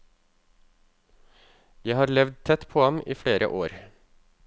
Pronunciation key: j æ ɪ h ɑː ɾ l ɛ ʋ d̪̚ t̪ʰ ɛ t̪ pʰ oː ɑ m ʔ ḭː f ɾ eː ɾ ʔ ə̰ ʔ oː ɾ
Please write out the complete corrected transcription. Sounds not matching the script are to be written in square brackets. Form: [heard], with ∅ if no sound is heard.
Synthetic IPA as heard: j æ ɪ h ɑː ɾ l ɛ ʋ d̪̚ t̪ʰ ɛ t̪ pʰ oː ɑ m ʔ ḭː f [ɽ] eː ɾ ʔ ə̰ ʔ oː ɾ